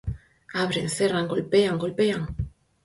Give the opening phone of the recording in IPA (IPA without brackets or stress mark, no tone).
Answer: a